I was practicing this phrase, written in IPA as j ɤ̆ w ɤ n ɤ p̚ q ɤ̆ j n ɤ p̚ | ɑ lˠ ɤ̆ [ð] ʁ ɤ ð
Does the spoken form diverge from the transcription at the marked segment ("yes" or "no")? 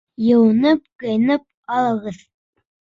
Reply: yes